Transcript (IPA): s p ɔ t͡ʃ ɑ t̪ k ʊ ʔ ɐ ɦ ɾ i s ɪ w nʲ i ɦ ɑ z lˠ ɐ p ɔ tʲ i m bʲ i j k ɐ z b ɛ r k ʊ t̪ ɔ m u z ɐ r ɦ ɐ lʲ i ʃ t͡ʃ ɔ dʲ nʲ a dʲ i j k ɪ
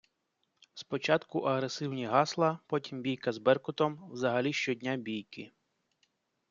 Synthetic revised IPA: s p ɔ t͡ʃ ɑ t̪ k ʊ ʔ ɐ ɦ ɾ e s ɪ w nʲ i ɦ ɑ s lˠ ɐ p ɔ tʲ i m bʲ i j k ɐ z b ɛ r k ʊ t̪ ɔ m w z ɐ ɦ ɐ lʲ i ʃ t͡ʃ ɔ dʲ nʲ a bʲ i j k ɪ